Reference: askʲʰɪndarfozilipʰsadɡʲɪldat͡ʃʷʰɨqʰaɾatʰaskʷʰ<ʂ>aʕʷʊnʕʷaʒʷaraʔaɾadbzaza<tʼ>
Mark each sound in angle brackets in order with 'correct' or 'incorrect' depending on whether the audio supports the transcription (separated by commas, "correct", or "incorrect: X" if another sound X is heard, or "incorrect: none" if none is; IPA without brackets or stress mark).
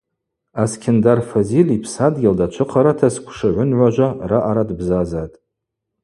correct, correct